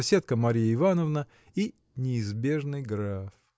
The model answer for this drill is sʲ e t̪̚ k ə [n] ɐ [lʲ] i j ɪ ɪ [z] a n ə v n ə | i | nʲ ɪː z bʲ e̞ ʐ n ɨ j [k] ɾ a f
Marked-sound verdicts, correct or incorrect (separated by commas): incorrect, incorrect, incorrect, incorrect